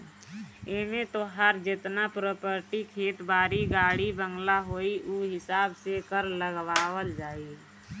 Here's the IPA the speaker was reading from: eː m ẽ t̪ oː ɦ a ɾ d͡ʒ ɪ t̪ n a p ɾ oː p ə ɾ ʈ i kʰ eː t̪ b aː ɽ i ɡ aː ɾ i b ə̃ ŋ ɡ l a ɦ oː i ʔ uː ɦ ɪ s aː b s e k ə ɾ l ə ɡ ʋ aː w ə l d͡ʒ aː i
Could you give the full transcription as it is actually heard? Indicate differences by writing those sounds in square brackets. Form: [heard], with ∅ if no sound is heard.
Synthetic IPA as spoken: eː m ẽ t̪ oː ɦ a ɾ d͡ʒ ɪ t̪ n a p ɾ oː p ə ɾ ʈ i kʰ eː t̪ b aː [ɾ] i ɡ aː [ɽ] i b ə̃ ŋ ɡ l a ɦ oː i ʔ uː ɦ ɪ s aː b s e k ə ɾ l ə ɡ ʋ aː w ə l d͡ʒ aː i

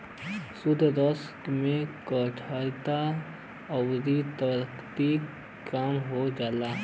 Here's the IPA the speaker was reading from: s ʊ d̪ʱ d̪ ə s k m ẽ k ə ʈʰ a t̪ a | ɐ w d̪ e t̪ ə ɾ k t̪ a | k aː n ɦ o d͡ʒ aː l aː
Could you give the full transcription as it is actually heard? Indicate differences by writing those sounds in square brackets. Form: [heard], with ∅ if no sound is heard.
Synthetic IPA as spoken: s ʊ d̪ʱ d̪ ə s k m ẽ k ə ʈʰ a t̪ a | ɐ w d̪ [i] t̪ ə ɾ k t̪ [i] | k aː [m] ɦ o d͡ʒ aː l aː

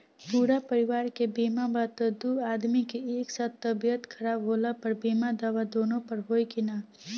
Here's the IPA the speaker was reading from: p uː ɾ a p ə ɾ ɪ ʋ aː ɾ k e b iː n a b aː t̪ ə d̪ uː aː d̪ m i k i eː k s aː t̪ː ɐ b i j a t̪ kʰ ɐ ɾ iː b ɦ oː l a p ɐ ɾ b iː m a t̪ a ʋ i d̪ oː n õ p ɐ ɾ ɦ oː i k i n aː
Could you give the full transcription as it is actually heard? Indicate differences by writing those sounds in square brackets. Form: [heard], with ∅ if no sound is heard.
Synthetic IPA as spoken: p uː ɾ a p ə ɾ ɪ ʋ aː ɾ k e b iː [m] a b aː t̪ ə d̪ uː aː d̪ m i k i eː k s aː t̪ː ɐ b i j [ə] t̪ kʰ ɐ ɾ [aː] b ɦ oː l a p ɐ ɾ b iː m a [d̪] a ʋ [a] d̪ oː n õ p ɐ ɾ ɦ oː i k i n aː

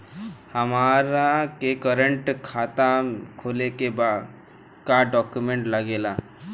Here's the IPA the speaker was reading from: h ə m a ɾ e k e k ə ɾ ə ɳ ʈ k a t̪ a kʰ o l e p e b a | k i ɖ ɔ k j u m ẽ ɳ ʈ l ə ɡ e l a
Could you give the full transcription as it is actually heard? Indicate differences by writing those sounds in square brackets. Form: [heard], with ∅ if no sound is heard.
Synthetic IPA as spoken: h ə m a ɾ [a] k e k ə ɾ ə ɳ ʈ [kʰ] a t̪ a kʰ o l e [k] e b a | k [a] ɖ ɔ k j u m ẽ ɳ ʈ l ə ɡ e l a

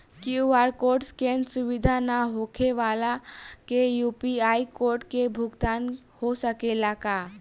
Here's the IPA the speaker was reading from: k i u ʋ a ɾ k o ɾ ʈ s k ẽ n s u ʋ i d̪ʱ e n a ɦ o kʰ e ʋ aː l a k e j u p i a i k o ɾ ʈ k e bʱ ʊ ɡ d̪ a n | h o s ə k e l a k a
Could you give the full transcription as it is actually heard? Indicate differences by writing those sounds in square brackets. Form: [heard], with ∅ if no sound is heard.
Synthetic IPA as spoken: k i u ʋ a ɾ k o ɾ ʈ s k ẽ n s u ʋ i d̪ʱ [a] n a ɦ o kʰ e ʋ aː l a k e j u p i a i k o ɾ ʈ k e bʱ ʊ ɡ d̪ a n | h o s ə k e l a k a

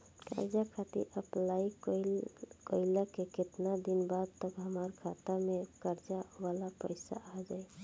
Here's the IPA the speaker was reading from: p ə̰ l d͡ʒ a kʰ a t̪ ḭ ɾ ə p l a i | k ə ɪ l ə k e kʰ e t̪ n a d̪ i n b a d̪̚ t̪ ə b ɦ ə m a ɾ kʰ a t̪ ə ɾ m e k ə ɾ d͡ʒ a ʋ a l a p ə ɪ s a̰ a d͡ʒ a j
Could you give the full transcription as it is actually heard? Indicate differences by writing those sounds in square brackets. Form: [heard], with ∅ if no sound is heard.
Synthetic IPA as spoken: [k] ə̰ [ɾ] d͡ʒ a kʰ a t̪ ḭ ɾ ə p l a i | k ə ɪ l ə k e [k] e t̪ n a d̪ i n b a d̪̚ t̪ ə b ɦ ə m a ɾ kʰ a t̪ ə ɾ m e k ə ɾ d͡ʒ a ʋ a l a p ə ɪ s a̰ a d͡ʒ a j

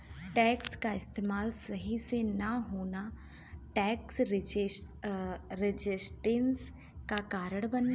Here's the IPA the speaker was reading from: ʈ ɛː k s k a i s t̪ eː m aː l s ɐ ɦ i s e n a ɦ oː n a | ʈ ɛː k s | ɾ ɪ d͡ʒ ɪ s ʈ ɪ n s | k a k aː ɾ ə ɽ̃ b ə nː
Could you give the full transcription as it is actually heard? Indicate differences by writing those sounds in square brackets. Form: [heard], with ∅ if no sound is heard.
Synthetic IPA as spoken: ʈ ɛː k s k a [ɪ] s t̪ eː m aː l s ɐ ɦ i s e n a ɦ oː n a | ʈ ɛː k s | ɾ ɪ d͡ʒ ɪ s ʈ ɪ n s | k a k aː ɾ ə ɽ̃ b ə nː

